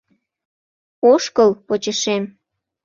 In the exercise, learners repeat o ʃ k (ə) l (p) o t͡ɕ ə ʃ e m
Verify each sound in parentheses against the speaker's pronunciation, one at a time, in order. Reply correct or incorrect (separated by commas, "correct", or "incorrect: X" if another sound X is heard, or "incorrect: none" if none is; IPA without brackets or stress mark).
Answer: correct, correct